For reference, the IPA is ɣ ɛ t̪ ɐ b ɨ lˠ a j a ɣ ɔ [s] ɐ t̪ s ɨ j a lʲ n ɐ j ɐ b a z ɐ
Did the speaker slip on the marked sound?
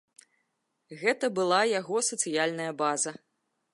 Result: no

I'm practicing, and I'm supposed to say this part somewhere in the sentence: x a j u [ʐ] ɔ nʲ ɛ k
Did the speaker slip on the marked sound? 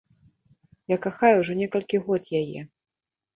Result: no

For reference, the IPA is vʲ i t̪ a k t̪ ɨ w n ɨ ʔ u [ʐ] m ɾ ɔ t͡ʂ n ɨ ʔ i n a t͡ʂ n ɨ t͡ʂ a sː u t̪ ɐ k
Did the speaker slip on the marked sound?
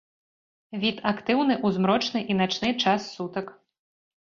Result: yes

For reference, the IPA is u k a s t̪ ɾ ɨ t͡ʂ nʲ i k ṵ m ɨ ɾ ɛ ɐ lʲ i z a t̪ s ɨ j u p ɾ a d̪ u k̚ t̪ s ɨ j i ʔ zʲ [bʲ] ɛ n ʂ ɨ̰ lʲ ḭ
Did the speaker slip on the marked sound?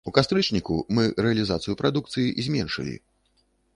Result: yes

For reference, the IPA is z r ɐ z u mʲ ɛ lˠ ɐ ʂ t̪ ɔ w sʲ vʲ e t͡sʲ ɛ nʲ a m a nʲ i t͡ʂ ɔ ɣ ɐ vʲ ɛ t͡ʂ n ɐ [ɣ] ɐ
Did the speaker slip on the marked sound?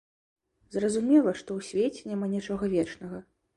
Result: no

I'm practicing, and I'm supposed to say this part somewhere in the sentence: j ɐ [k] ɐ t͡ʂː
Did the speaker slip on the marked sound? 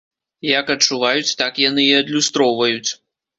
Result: no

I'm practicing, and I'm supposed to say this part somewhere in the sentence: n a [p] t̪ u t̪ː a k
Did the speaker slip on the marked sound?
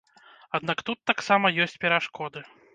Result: yes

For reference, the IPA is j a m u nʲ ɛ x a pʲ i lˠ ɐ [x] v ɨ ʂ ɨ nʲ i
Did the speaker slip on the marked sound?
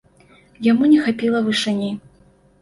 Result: yes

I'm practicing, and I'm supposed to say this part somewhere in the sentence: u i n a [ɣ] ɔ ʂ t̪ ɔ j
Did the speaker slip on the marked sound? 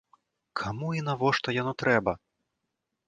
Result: yes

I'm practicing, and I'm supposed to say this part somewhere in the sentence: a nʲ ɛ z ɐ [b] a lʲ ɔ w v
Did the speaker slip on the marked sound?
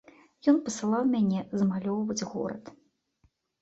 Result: yes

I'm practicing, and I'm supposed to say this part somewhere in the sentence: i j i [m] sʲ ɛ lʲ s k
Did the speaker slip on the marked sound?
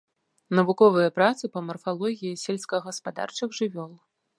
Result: yes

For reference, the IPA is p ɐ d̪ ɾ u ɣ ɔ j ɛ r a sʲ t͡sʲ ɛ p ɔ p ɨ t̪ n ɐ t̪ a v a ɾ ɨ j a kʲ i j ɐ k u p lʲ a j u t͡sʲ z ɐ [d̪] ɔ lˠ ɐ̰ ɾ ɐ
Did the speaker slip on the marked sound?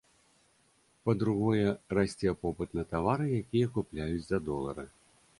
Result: no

